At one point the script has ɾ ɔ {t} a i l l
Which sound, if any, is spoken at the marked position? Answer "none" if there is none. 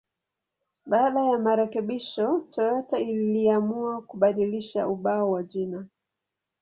t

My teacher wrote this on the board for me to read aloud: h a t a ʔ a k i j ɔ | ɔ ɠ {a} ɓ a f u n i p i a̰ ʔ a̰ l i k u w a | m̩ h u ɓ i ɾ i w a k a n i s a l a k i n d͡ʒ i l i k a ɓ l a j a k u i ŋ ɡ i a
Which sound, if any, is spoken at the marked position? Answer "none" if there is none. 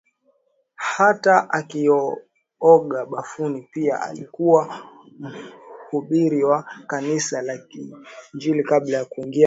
a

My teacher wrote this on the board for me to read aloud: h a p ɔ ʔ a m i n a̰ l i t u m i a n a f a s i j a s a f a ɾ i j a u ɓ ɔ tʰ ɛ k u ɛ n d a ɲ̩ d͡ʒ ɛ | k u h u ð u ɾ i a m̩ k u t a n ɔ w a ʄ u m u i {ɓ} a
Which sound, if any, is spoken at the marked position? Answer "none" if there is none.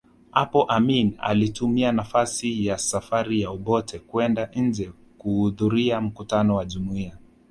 none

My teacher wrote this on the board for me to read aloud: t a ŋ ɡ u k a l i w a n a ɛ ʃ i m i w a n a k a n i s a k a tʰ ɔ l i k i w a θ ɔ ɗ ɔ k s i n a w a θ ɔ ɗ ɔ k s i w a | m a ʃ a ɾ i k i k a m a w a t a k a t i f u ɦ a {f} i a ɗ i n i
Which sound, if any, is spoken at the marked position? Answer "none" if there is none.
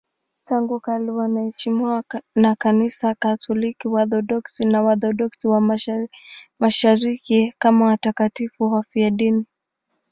f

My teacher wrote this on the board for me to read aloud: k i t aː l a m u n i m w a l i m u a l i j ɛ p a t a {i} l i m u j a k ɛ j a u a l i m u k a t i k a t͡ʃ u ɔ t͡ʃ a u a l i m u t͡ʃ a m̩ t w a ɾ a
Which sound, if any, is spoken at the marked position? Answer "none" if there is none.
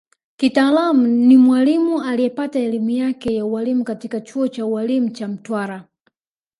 ɛ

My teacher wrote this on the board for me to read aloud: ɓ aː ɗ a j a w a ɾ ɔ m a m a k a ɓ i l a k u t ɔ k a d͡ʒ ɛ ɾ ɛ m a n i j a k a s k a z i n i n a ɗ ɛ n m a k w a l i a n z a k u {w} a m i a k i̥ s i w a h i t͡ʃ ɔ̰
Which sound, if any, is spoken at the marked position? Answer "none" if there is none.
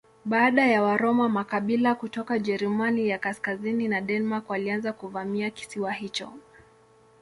v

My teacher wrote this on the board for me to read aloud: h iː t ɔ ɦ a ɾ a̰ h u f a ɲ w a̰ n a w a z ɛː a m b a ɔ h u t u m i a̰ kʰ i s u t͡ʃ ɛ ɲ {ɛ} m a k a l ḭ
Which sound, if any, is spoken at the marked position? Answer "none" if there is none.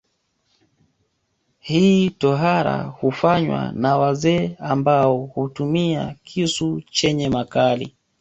ɛ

